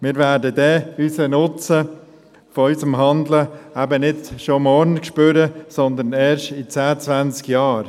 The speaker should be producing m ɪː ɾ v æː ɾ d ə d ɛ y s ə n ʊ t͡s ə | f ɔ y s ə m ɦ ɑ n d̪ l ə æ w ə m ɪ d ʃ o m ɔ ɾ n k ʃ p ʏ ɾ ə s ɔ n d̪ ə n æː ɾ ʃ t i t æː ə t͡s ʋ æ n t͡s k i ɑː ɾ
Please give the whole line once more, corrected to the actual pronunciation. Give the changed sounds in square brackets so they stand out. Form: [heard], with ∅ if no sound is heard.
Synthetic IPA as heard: m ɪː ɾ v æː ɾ d ə d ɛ y s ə n ʊ t͡s ə | f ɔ y s ə m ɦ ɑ n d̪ l ə æ [b] ə [n] ɪ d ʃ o m ɔ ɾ n k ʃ p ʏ ɾ ə s ɔ n d̪ ə n [ɛː] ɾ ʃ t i [t͡s] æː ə t͡s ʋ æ n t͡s k [j] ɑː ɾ